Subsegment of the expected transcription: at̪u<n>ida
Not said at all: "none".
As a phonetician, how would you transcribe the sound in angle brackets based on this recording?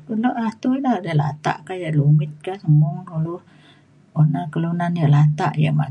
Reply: none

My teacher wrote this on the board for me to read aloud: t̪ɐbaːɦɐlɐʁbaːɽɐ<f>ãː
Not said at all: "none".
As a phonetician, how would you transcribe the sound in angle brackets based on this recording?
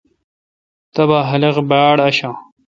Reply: ɕ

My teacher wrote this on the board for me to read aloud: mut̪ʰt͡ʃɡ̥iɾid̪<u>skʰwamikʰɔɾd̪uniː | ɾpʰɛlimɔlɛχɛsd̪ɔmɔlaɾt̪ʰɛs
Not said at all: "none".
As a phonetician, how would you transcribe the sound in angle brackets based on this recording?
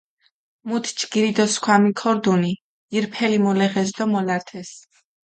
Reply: ɔ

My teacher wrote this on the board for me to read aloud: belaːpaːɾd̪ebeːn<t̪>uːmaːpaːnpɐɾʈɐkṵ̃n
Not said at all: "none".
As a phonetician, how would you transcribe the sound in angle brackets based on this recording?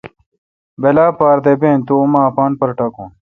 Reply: t̪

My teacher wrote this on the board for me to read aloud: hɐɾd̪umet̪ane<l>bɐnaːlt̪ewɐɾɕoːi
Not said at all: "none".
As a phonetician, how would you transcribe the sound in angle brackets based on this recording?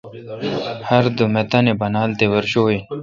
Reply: none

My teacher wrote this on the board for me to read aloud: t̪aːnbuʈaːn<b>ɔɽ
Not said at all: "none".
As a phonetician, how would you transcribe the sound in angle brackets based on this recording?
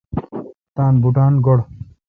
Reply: ɡ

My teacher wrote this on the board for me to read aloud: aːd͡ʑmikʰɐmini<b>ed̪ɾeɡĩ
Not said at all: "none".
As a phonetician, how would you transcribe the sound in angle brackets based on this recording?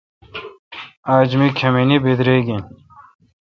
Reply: b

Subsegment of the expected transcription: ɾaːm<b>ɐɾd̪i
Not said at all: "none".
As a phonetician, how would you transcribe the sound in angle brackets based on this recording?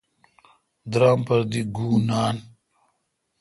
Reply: p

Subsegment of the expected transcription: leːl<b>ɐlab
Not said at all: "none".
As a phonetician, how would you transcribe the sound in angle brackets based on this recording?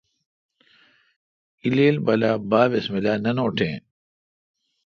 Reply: b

